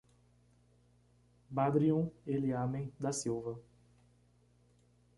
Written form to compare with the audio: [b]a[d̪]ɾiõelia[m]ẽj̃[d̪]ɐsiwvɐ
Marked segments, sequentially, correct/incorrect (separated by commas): correct, correct, correct, correct